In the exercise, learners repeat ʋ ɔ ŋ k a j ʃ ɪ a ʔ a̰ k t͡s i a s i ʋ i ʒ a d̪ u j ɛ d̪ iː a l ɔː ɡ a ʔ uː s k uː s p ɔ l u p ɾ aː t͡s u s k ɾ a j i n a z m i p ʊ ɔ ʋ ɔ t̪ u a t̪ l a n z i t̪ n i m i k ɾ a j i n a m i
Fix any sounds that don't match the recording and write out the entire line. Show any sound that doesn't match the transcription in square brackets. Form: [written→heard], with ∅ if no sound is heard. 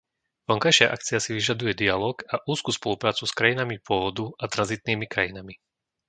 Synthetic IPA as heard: ʋ ɔ ŋ k a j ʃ ɪ a ʔ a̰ k t͡s i a s i ʋ i ʒ a d̪ u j ɛ d̪ [iː→i] a l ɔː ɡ a ʔ uː s k uː s p ɔ l u p ɾ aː t͡s u s k ɾ a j i n a [z→∅] m i p ʊ ɔ ʋ ɔ [t̪→d̪] u a t̪ [l→ɾ] a n z i t̪ n [i→iː] m i k ɾ a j i n a m i